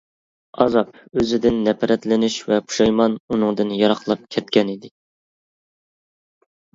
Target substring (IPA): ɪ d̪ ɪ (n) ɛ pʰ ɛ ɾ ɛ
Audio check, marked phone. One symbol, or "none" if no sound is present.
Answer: nː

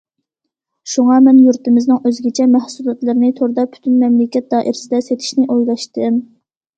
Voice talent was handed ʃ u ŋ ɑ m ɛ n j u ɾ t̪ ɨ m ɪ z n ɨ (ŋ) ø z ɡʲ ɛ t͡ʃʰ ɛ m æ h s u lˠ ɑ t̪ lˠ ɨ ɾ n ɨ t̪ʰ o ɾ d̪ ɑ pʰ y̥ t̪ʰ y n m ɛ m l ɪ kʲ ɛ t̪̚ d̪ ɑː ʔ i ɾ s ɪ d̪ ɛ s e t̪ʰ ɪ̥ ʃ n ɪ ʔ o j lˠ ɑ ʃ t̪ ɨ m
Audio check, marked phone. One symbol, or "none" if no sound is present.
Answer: ŋ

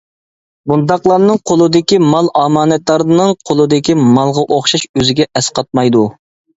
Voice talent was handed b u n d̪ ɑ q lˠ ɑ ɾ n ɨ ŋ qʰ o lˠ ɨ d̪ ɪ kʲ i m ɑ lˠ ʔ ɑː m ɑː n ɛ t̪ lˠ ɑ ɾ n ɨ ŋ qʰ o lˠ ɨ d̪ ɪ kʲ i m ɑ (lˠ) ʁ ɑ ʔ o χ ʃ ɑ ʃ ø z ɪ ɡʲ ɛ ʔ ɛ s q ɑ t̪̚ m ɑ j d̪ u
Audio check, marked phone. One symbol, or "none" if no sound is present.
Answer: lˠ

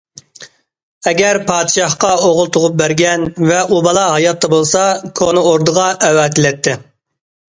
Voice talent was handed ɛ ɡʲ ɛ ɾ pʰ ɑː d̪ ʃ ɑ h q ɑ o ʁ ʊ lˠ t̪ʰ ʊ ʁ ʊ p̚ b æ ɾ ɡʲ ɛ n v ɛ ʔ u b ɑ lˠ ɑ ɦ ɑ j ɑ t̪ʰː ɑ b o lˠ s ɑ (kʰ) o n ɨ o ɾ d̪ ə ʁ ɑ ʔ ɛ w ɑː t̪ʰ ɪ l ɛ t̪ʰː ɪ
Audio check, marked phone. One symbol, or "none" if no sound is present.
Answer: kʰ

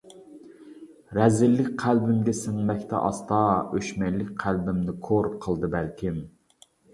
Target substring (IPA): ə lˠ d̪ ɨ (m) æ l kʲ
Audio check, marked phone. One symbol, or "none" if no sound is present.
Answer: b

